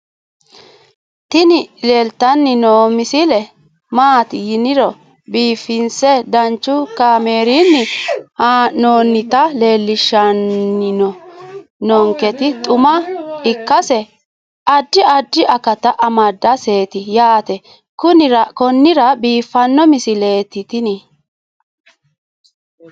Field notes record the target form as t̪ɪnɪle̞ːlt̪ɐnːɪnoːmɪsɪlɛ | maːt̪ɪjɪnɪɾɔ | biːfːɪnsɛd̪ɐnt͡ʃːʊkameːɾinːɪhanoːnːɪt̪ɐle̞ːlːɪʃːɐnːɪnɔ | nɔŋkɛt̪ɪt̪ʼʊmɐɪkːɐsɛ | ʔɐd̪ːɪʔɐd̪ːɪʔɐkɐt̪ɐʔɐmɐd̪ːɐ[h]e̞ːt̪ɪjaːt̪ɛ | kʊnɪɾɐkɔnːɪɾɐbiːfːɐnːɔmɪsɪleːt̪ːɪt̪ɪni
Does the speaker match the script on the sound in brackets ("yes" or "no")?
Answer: no